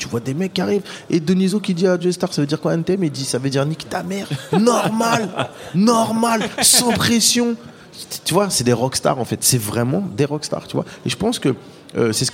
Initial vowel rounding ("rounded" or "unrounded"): rounded